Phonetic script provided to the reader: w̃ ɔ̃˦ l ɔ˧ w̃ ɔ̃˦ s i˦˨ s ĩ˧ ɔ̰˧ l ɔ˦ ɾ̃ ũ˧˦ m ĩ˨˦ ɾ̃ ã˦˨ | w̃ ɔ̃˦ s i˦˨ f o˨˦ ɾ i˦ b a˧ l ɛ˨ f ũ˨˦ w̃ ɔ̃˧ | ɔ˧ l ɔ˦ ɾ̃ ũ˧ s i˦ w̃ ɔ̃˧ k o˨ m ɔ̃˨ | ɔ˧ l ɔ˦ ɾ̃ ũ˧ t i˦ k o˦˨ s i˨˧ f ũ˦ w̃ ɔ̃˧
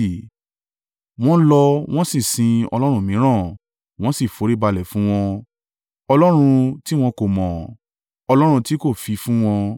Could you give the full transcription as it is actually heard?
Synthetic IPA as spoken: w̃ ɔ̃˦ l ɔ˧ w̃ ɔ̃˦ s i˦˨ s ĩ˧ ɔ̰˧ l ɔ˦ ɾ̃ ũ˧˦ m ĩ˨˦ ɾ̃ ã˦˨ | w̃ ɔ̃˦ s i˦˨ f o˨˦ ɾ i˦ b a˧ l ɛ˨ f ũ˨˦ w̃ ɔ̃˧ | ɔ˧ l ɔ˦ ɾ̃ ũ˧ t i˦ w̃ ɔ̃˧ k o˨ m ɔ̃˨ | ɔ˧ l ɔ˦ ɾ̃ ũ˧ t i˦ k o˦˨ f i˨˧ f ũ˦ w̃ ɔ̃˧